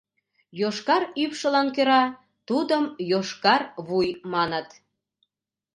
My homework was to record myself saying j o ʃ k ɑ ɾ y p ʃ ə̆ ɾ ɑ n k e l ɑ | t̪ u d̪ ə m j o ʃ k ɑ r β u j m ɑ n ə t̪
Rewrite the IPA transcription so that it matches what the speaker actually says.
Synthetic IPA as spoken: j o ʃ k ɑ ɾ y p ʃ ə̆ l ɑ n k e ɾ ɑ | t̪ u d̪ ə m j o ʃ k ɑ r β u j m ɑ n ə t̪